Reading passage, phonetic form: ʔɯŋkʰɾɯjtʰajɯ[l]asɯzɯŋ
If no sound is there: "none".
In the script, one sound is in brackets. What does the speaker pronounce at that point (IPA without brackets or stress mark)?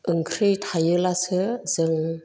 l